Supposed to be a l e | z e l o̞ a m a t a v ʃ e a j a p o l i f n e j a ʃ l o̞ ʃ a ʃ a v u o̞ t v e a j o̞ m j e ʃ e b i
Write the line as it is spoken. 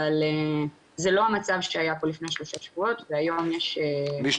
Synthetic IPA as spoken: a l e | z e l o̞ a m a t͡s a v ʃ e a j a p o l i f n e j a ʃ l o̞ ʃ a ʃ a v u o̞ t v e a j o̞ m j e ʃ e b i